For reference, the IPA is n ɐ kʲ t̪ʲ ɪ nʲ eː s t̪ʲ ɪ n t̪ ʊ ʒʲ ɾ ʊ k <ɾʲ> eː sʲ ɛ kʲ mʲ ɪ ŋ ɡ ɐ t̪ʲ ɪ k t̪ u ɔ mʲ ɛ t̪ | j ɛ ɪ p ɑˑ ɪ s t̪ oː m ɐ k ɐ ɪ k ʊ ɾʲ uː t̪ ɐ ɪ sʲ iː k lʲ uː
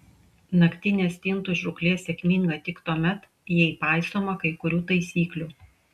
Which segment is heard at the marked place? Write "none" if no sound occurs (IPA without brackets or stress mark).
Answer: lʲ